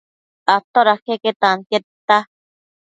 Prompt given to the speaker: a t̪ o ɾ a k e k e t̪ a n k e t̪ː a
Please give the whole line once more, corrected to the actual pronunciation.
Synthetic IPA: a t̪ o ɾ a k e k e t̪ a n k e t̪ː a